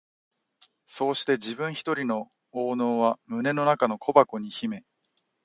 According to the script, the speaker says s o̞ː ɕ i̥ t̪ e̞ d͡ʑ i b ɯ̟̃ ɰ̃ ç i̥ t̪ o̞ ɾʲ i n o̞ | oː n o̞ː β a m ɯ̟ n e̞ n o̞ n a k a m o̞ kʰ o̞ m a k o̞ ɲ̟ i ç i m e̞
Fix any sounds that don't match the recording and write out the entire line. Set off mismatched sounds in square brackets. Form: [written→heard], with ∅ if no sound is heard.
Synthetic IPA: s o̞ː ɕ i̥ t̪ e̞ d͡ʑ i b ɯ̟̃ ɰ̃ ç i̥ t̪ o̞ ɾʲ i n o̞ | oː n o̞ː β a m ɯ̟ n e̞ n o̞ n a k a [m→n] o̞ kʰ o̞ [m→b] a k o̞ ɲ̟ i ç i m e̞